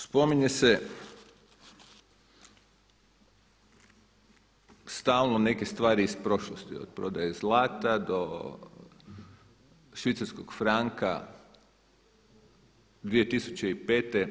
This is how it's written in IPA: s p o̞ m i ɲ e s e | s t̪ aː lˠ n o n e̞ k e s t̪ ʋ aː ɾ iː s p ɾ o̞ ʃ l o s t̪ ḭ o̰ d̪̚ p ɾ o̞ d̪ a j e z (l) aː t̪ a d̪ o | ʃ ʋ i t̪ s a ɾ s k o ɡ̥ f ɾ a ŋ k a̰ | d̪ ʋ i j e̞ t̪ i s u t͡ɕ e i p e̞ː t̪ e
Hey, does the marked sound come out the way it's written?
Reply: yes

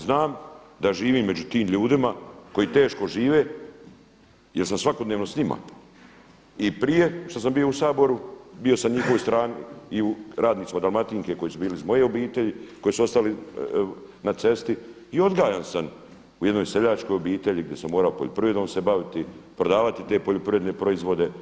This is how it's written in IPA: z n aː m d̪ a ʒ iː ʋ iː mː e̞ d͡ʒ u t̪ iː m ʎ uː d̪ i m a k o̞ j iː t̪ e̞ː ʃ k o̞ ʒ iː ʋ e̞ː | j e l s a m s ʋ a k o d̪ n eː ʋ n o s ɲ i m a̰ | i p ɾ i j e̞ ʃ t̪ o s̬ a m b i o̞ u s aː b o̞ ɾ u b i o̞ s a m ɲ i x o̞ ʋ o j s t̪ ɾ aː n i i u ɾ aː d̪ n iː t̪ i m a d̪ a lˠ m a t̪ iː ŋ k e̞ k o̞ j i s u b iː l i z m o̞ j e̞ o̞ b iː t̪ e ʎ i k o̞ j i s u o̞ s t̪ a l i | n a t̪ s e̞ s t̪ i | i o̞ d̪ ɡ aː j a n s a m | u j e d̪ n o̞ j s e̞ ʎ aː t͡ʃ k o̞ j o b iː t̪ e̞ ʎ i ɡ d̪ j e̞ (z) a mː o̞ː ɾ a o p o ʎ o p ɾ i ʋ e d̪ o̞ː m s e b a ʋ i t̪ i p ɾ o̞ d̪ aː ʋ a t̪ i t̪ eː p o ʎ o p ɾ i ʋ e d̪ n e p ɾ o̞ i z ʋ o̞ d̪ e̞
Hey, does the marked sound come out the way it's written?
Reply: no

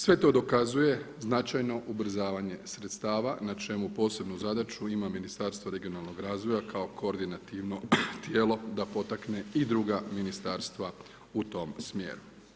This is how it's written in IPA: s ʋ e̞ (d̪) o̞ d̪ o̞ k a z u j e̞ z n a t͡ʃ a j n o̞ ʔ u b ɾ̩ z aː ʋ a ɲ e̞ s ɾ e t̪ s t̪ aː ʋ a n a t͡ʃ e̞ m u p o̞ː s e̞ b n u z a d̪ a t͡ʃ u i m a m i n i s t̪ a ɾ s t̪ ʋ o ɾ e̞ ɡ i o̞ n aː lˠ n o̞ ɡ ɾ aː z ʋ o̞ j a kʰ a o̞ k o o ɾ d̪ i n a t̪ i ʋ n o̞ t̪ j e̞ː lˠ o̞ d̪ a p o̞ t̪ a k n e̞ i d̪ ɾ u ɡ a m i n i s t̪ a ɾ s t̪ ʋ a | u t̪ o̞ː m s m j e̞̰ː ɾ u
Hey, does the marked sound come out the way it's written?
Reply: no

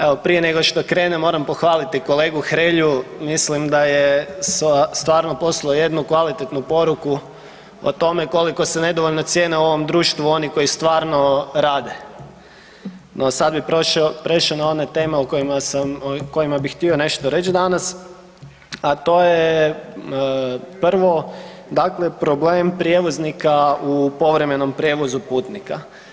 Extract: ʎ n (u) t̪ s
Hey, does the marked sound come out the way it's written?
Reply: no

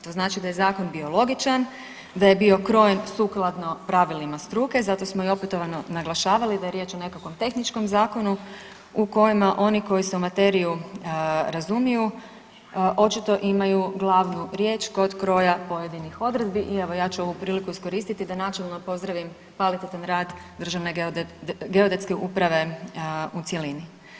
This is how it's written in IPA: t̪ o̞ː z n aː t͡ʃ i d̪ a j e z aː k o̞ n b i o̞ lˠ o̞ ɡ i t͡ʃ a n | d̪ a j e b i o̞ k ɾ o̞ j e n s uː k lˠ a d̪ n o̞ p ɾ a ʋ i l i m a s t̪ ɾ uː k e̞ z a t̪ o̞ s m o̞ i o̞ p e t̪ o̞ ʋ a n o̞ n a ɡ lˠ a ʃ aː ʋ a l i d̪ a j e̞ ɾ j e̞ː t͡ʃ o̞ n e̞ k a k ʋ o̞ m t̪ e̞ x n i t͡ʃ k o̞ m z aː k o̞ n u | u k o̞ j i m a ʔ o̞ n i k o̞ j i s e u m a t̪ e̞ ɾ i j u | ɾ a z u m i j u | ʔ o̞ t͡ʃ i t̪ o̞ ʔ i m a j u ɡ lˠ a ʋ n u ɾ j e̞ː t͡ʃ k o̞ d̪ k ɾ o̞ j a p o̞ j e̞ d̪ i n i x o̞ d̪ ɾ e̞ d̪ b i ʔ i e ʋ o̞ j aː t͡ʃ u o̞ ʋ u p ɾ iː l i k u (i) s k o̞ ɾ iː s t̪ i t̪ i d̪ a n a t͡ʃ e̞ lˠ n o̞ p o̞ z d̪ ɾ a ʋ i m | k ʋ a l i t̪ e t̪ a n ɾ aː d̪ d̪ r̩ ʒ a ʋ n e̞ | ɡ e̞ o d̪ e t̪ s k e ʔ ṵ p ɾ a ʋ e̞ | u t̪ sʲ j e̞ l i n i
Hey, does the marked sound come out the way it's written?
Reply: yes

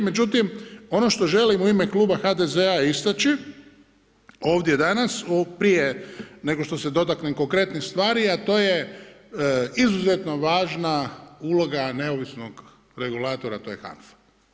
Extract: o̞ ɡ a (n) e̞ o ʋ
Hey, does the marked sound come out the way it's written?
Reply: yes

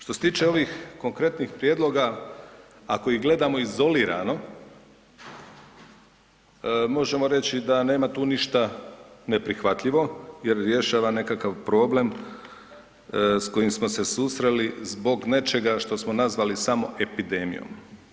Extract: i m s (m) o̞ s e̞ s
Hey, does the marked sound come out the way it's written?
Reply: yes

